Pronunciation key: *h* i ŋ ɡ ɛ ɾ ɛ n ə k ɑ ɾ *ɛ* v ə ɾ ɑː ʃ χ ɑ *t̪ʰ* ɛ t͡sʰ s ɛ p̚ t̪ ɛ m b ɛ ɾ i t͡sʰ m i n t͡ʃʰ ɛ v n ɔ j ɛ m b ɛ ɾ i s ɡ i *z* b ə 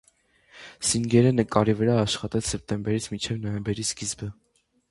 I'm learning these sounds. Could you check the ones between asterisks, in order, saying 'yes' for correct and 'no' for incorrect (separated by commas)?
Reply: no, no, no, yes